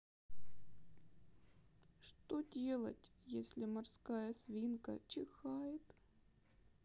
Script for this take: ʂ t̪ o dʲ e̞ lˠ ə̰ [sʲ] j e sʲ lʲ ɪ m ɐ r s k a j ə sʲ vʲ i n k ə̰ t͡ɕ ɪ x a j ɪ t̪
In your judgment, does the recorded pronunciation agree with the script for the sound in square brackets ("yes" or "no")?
no